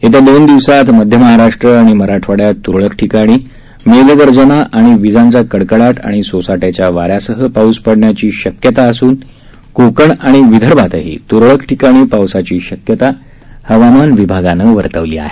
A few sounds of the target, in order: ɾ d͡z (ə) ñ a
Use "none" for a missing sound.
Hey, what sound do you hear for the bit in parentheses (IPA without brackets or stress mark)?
ə